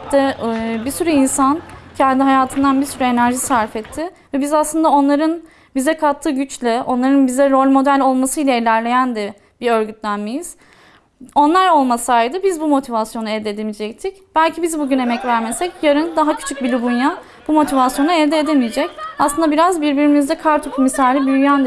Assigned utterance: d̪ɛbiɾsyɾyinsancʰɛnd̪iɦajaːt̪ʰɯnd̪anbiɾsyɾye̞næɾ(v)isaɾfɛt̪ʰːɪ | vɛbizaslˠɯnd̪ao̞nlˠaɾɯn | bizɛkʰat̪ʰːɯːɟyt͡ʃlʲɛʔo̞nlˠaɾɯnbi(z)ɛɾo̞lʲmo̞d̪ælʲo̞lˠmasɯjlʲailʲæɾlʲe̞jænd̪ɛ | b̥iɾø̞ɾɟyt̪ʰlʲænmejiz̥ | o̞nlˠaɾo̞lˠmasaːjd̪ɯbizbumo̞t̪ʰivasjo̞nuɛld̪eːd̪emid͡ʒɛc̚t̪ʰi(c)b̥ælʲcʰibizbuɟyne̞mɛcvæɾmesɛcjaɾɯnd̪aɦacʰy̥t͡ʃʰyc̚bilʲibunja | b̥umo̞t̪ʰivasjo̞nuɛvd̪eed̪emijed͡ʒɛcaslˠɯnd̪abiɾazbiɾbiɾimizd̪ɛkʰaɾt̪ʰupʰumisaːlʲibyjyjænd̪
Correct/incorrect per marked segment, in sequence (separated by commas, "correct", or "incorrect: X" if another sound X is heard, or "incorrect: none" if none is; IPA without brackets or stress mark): incorrect: ʒ, correct, correct